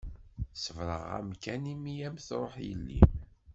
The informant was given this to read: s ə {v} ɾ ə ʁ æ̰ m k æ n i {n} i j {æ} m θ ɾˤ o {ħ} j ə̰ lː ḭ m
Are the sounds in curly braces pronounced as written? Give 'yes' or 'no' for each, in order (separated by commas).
yes, no, yes, yes